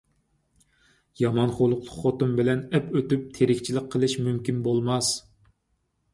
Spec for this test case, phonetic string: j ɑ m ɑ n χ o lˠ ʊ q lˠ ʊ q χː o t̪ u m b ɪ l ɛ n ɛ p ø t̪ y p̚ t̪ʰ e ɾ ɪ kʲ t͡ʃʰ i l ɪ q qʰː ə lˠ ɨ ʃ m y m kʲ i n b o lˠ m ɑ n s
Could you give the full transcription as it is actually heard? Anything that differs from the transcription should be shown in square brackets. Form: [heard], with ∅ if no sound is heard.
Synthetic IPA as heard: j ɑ m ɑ n χ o lˠ ʊ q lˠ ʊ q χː o t̪ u m b ɪ l ɛ n ɛ p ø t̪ y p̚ t̪ʰ e ɾ ɪ kʲ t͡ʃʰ i l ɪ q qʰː ə lˠ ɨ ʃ m y m kʲ i n b o lˠ m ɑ [∅] s